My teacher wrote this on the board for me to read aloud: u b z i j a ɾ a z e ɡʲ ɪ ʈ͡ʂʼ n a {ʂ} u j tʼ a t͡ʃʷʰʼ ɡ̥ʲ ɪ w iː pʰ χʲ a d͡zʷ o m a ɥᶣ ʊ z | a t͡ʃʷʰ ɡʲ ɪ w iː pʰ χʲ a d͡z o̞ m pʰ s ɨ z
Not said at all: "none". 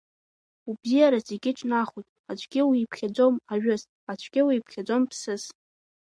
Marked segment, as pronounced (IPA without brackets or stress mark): χ